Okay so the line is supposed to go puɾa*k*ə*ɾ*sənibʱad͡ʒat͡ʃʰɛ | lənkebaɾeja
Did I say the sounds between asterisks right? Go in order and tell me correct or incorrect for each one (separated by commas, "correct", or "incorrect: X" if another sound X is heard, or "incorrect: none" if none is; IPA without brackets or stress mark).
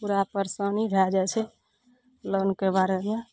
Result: incorrect: p, correct